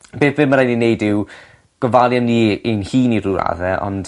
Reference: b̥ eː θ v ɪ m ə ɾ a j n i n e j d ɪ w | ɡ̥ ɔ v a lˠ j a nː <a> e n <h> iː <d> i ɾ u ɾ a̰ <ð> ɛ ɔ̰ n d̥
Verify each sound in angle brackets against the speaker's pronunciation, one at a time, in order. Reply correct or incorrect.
incorrect: i, correct, incorrect: n, correct

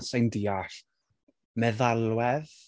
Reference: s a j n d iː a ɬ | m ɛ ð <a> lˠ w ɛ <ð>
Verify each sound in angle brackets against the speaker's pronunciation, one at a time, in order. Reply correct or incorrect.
correct, correct

